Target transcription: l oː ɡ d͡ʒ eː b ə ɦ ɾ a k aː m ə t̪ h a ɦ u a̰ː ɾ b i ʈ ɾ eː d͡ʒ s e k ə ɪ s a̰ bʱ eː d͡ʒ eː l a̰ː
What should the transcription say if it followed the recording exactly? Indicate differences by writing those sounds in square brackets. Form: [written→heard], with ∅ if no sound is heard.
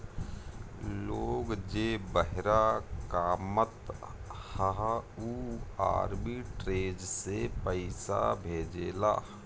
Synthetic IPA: l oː ɡ d͡ʒ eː b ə ɦ ɾ a k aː m ə t̪ h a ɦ u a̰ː ɾ b i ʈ ɾ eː d͡ʒ s e [k→p] ə ɪ s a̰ bʱ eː d͡ʒ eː l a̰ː